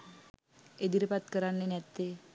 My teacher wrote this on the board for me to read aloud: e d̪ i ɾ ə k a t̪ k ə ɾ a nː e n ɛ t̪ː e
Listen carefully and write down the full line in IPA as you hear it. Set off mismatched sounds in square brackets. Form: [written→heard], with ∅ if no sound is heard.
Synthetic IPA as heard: e d̪ i ɾ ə [k→p] a t̪ k ə ɾ a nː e n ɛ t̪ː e